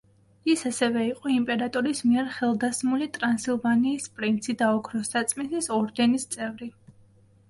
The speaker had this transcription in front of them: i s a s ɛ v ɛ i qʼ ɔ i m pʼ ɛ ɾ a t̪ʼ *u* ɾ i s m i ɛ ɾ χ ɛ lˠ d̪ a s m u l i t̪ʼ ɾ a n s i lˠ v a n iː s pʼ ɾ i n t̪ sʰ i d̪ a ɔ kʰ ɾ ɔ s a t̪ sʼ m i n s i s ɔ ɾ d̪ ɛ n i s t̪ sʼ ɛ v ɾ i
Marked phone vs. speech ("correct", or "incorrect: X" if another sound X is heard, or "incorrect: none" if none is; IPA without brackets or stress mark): incorrect: ɔ